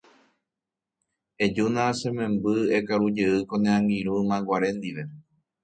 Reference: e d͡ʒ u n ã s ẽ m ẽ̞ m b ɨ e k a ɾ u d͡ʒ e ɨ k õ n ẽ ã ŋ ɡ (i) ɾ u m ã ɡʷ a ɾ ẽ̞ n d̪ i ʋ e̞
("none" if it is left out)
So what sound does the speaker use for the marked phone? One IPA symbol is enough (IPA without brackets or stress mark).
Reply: i